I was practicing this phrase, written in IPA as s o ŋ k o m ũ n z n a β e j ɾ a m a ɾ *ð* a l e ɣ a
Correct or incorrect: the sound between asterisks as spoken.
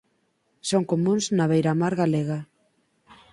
incorrect: ɣ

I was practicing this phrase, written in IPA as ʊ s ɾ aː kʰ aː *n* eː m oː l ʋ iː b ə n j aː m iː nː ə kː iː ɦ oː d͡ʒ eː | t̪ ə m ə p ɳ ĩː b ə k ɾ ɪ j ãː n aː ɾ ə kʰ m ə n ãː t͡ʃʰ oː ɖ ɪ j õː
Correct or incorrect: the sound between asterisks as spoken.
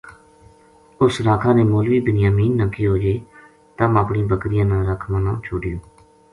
correct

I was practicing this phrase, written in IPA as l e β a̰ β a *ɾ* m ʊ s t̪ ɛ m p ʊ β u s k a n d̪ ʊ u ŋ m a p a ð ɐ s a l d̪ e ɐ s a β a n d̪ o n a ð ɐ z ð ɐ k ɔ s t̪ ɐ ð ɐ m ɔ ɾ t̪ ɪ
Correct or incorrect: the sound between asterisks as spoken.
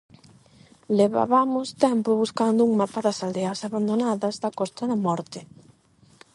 incorrect: none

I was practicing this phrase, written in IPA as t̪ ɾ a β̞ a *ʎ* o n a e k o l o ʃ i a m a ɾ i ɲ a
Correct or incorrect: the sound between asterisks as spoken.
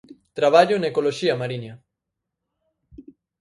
correct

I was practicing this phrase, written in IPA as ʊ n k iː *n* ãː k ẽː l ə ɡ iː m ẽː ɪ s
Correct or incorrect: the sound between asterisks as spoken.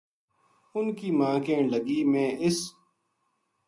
incorrect: m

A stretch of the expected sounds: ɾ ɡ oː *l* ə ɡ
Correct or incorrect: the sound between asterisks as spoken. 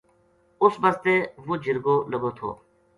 correct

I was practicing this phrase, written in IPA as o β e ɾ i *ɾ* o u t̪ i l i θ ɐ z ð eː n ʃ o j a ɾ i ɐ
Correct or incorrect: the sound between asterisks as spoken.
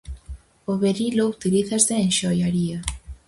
incorrect: l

